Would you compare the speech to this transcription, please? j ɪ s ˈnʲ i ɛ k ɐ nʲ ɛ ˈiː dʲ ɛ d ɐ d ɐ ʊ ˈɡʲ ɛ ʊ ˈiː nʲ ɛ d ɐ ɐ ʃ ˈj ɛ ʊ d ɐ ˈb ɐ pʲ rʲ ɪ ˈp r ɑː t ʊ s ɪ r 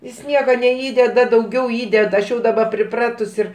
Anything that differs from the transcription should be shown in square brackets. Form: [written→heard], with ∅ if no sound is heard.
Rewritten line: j ɪ s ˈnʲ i ɛ k ɐ nʲ ɛ ˈiː dʲ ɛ d ɐ d ɐ ʊ ˈɡʲ ɛ ʊ ˈiː [nʲ→dʲ] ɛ d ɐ ɐ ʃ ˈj ɛ ʊ d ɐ ˈb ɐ pʲ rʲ ɪ ˈp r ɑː t ʊ s ɪ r